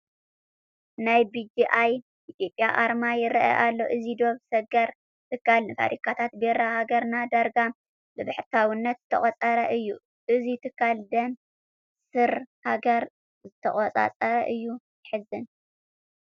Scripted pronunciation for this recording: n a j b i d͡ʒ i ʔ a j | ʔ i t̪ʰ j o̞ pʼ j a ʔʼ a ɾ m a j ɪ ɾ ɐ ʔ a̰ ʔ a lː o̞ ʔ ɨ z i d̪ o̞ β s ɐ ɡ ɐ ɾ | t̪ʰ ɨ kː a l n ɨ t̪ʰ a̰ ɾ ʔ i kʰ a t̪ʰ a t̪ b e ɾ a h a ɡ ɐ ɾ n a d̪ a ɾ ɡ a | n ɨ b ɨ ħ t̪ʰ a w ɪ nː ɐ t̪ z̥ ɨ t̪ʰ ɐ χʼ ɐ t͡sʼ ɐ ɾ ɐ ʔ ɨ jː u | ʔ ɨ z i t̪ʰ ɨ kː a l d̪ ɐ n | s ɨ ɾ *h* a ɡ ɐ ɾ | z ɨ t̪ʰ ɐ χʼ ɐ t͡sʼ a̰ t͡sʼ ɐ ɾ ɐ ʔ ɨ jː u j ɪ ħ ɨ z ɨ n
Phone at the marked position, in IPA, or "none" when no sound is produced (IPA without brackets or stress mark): h